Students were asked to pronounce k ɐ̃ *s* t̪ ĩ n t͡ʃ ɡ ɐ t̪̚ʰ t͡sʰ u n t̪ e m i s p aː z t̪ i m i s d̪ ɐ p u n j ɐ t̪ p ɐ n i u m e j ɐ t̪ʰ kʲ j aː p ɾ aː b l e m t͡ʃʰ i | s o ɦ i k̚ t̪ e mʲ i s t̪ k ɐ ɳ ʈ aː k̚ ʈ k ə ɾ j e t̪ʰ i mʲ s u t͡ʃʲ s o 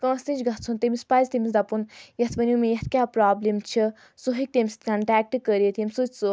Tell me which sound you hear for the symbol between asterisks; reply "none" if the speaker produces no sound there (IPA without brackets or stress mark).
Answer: s